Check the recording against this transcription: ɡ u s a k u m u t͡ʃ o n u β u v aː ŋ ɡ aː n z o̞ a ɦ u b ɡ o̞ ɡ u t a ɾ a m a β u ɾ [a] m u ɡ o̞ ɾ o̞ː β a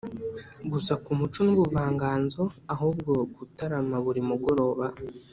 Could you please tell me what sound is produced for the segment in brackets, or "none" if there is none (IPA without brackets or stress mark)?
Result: i